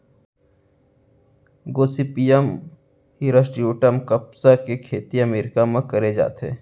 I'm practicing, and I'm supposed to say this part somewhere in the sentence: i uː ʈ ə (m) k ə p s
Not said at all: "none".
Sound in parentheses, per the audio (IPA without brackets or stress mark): m